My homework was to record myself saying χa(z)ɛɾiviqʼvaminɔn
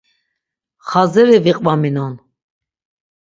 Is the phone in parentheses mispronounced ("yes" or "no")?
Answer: no